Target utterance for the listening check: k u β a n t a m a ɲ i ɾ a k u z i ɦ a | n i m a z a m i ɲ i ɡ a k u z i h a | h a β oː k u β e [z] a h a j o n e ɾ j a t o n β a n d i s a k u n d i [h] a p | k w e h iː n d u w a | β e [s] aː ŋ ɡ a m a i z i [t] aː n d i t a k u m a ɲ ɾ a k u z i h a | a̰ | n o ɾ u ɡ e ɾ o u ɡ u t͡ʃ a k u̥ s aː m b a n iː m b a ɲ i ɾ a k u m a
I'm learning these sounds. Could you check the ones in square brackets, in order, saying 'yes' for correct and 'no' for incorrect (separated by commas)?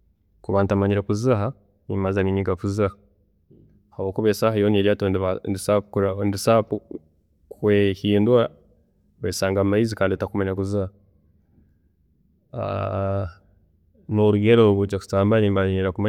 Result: no, no, yes, no